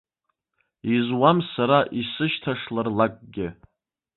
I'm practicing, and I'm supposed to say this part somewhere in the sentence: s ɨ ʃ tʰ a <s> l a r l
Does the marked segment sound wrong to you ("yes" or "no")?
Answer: yes